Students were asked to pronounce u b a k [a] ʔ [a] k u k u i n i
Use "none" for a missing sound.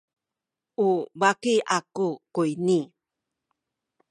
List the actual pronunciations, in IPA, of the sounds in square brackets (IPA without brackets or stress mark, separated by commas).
i, a